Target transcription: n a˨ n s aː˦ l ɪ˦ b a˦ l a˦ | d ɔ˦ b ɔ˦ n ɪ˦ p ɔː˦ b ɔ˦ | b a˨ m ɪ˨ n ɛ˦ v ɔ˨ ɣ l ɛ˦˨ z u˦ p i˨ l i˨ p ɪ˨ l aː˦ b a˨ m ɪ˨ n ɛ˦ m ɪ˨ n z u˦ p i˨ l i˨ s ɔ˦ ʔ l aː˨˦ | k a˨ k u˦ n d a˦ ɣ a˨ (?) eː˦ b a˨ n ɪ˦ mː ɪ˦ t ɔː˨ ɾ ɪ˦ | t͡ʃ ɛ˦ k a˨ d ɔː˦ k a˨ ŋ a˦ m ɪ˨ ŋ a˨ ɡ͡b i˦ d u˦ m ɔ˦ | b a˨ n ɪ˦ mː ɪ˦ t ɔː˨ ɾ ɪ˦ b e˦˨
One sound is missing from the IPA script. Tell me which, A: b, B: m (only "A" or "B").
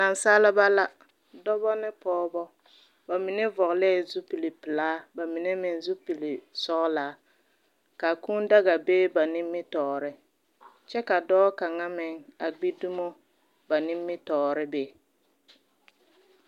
A